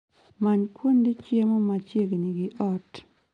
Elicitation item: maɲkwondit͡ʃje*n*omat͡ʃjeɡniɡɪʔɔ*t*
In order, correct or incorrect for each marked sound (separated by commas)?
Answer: incorrect, correct